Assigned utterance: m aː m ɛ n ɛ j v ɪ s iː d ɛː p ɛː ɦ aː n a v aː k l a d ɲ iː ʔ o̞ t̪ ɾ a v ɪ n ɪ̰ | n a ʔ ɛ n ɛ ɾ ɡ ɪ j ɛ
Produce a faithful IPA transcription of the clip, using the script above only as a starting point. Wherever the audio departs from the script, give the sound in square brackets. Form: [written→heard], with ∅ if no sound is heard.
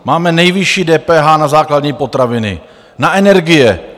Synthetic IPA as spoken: m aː m ɛ n ɛ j v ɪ [s→ʃ] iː d ɛː p ɛː ɦ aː n a [v→z] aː k l a d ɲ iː [ʔ→p] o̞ t̪ ɾ a v ɪ n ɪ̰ | n a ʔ ɛ n ɛ ɾ ɡ ɪ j ɛ